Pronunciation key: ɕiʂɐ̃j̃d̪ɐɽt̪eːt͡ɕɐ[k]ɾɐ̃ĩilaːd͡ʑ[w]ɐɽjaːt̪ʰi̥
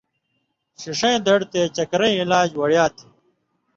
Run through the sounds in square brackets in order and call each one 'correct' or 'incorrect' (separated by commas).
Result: correct, correct